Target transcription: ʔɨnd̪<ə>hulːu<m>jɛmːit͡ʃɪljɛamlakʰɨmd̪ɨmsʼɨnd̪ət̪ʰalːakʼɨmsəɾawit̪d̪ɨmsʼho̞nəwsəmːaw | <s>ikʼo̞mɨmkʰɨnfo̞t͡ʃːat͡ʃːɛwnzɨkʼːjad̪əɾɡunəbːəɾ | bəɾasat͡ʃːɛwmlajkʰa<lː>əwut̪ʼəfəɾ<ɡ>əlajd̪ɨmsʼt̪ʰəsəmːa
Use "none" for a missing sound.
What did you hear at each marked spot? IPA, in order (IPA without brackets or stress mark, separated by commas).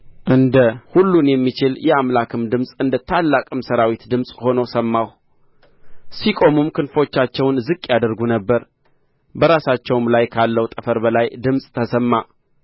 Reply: ə, n, s, lː, b